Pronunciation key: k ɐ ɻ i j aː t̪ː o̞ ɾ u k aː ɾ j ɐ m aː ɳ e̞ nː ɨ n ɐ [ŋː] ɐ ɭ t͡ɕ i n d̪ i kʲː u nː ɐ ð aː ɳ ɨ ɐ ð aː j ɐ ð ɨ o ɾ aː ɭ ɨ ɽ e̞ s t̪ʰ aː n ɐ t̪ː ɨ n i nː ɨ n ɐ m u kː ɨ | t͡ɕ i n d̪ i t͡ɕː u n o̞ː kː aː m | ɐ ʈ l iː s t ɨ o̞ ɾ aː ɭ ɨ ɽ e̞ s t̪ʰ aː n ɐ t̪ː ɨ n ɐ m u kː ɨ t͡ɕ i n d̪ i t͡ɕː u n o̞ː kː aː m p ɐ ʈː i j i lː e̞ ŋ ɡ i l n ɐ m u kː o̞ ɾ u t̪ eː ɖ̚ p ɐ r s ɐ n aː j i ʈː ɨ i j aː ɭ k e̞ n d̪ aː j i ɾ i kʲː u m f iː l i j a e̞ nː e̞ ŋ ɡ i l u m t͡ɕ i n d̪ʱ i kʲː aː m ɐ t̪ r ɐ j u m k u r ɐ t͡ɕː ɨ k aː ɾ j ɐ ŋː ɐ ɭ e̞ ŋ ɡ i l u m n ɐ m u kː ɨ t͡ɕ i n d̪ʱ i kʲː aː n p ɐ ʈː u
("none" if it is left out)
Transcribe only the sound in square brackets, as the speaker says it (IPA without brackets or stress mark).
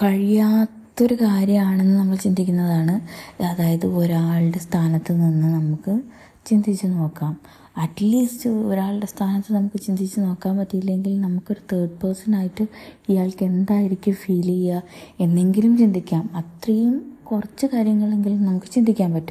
mː